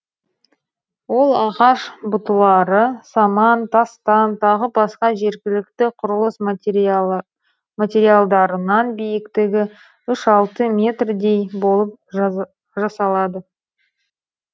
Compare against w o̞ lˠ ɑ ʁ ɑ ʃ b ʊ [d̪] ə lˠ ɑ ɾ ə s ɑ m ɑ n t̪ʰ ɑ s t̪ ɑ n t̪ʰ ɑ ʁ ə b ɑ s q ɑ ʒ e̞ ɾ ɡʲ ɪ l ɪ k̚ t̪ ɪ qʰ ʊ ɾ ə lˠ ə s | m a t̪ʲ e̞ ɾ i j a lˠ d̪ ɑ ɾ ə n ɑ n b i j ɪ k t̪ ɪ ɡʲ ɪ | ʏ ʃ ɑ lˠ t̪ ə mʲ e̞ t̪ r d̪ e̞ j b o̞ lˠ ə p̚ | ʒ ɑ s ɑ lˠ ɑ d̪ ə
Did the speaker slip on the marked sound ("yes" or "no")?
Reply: yes